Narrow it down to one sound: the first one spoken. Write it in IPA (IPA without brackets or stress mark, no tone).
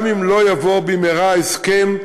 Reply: m